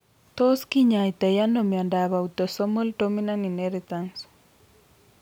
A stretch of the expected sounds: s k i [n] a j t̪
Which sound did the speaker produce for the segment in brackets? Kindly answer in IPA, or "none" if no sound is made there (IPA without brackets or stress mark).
ɲ